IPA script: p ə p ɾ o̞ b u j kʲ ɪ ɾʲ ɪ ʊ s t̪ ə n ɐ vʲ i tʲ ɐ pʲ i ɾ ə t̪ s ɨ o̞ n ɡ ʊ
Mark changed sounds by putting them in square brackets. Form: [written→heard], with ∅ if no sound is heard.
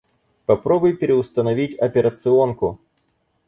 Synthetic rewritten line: p [ə→ɐ] p ɾ o̞ b [u→ʊ] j [kʲ→pʲ] ɪ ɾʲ ɪ ʊ s t̪ ə n ɐ vʲ i tʲ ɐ pʲ [i→ɪ] ɾ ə t̪ s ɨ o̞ n [ɡ→k] ʊ